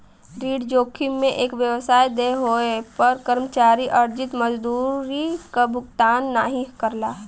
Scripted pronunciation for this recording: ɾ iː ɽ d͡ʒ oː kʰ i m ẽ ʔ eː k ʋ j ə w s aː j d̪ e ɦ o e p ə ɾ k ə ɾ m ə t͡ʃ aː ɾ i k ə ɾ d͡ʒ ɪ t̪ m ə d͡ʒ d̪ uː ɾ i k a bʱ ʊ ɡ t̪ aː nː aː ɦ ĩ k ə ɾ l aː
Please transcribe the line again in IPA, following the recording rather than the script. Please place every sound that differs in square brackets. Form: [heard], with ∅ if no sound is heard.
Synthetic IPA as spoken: ɾ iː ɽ d͡ʒ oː kʰ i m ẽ ʔ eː k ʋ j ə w s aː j d̪ e ɦ o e p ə ɾ k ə ɾ m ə t͡ʃ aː ɾ i [ʔ] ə ɾ d͡ʒ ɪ t̪ m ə d͡ʒ d̪ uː ɾ i k a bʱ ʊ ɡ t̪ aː nː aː ɦ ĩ k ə ɾ l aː